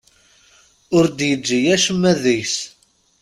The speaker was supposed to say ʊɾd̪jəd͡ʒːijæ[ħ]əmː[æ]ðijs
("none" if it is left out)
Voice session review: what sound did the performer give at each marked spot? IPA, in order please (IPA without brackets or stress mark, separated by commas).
ʃ, æ